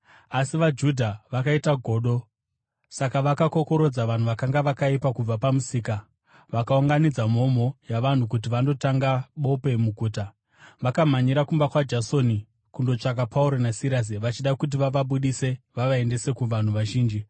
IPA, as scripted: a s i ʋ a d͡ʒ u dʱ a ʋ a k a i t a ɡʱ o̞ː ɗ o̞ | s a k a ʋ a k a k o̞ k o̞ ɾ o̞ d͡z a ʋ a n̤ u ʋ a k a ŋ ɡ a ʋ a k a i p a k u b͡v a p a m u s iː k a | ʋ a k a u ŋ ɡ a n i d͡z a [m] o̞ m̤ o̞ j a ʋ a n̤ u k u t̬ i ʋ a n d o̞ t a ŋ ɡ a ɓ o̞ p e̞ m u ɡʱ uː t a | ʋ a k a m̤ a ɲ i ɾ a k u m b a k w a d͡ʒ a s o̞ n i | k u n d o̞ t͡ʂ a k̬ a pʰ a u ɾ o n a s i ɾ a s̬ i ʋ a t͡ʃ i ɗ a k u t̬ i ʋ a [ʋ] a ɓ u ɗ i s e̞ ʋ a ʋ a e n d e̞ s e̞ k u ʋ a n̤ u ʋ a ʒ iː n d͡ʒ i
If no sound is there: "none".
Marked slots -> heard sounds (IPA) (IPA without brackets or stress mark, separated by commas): m, ʋ